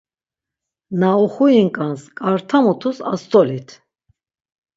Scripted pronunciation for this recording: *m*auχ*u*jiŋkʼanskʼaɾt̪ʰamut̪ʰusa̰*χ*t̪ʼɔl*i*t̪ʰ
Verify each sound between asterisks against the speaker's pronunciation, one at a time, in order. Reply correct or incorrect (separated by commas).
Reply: incorrect, correct, incorrect, correct